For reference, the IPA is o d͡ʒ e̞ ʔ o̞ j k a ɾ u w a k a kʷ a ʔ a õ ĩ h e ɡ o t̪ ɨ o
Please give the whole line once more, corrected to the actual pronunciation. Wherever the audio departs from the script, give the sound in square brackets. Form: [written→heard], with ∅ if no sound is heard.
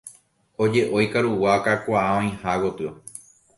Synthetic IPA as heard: o d͡ʒ e̞ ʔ o̞ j k a ɾ u w a k a kʷ a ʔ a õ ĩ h [e→a] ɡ o t̪ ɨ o